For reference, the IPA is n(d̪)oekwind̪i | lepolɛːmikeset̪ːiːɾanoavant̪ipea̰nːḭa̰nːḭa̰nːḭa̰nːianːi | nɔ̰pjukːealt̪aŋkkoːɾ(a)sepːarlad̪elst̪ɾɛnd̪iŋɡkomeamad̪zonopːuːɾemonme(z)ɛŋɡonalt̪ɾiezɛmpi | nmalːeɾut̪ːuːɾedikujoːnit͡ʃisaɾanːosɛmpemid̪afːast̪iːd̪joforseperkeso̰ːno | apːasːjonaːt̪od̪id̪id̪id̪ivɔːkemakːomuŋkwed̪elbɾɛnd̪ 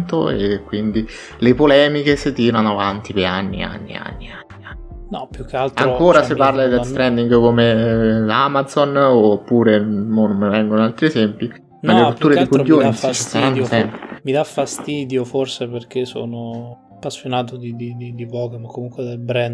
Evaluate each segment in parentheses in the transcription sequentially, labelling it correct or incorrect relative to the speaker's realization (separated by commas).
incorrect, correct, incorrect